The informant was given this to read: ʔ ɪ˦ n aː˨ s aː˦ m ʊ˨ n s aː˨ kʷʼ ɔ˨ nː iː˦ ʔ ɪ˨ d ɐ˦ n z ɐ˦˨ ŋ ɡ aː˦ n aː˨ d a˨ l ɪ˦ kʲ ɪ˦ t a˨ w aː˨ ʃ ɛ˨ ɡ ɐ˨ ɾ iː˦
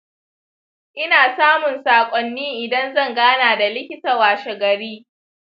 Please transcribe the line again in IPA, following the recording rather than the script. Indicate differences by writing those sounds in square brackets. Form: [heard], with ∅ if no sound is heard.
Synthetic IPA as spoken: ʔ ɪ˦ n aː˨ s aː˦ m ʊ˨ n s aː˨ kʷʼ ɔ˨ nː iː˦ ʔ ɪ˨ d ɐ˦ n z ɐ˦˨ ŋ ɡ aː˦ n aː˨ d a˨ l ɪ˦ kʲ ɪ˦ t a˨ w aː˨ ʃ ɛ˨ ɡ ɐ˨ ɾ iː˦